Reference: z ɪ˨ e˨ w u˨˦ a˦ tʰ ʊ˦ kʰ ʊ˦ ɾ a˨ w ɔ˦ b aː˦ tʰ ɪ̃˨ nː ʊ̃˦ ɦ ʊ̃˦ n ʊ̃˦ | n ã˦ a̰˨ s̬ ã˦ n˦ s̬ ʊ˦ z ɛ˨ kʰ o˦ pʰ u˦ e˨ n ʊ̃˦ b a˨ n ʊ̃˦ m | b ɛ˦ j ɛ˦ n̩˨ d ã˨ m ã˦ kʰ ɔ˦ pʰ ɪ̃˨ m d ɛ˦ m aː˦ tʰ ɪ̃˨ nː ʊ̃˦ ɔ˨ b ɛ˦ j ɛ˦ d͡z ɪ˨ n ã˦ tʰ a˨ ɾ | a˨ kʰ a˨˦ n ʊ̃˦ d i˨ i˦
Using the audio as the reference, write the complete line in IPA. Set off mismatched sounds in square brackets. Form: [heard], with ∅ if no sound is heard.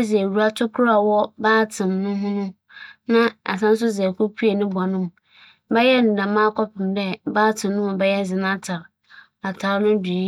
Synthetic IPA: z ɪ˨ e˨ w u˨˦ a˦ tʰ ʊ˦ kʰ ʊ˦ ɾ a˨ w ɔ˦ b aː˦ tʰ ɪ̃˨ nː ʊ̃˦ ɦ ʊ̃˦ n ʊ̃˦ | n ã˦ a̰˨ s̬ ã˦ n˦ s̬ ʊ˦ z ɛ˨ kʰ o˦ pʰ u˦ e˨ n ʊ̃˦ b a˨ n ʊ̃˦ m | b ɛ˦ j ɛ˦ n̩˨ d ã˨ m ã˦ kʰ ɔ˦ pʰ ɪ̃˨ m d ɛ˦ [b] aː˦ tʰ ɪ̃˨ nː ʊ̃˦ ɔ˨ b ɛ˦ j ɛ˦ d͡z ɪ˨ n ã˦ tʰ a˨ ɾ | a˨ [tʰ] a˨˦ n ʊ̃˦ d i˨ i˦